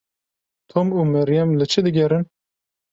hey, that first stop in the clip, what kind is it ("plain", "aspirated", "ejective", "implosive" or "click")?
aspirated